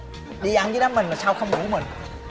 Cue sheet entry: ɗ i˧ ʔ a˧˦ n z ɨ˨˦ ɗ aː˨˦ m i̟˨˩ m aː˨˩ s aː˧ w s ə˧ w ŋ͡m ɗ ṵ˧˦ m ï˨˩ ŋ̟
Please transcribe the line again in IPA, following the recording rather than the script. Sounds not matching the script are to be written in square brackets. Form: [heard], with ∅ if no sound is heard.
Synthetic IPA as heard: ɗ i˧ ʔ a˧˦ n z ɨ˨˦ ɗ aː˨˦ m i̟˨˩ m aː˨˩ s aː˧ w [x] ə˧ w ŋ͡m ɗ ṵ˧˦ m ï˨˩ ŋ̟